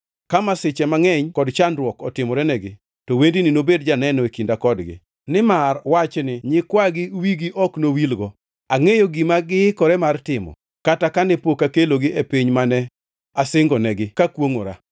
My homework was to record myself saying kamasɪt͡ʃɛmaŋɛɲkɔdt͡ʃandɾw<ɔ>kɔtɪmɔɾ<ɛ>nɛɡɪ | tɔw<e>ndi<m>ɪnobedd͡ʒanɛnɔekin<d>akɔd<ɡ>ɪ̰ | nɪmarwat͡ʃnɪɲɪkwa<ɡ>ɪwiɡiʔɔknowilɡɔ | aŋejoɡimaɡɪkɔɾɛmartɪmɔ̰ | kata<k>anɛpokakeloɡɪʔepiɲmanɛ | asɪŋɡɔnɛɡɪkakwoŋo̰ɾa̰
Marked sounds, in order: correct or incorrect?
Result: correct, correct, correct, incorrect: n, correct, correct, correct, correct

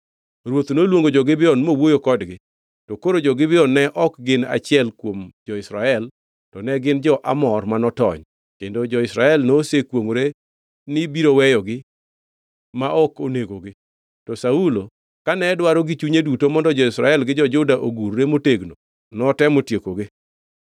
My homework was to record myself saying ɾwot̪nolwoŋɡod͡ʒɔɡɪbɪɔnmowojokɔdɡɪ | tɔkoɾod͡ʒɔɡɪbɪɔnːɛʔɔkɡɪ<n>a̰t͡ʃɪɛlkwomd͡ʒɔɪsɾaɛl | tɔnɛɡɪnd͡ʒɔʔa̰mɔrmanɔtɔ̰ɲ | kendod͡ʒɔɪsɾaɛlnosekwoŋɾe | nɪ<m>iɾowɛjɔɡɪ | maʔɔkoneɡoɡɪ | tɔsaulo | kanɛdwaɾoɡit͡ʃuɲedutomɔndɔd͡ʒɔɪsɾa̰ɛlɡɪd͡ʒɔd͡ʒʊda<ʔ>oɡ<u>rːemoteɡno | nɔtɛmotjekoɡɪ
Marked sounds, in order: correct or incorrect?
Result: correct, incorrect: b, correct, correct

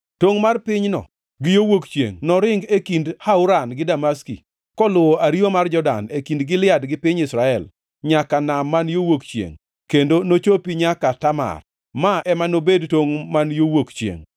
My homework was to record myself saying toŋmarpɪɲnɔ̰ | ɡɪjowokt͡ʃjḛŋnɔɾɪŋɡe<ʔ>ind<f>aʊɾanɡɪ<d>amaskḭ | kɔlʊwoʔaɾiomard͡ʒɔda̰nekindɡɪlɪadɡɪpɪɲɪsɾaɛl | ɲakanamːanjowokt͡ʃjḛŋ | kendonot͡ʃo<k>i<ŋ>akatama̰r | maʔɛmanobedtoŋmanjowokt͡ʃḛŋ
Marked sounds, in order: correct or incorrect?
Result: incorrect: k, incorrect: h, correct, incorrect: p, incorrect: ɲ

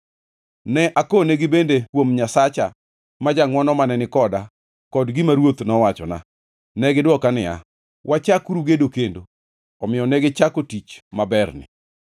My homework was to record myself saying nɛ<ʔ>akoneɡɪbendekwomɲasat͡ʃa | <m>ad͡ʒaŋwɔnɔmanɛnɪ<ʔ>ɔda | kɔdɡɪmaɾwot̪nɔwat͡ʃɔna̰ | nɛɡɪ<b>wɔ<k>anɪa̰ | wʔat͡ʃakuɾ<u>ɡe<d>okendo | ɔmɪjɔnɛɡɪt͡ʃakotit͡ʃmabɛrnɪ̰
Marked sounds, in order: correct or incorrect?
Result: correct, correct, incorrect: k, incorrect: d, correct, correct, correct

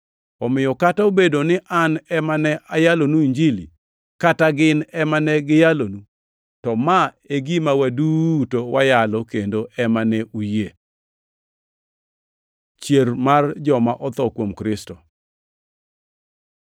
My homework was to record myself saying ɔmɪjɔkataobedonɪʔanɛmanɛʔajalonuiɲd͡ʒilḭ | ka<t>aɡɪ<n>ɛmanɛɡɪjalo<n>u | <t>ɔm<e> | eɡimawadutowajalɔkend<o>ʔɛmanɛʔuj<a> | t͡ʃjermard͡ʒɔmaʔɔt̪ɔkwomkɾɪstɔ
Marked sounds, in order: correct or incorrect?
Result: correct, correct, correct, correct, incorrect: a, correct, incorrect: e

